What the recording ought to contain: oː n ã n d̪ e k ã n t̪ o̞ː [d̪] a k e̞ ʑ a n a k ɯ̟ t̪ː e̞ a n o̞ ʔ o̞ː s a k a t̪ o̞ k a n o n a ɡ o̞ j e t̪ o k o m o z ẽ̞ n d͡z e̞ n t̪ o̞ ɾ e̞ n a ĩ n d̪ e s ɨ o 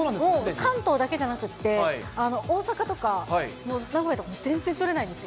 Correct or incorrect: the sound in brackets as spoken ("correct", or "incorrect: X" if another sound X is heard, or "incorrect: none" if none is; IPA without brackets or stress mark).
correct